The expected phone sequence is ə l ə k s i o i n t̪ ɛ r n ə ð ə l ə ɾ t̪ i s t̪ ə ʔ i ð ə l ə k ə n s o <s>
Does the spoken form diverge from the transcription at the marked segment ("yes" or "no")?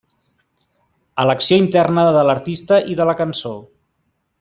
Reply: yes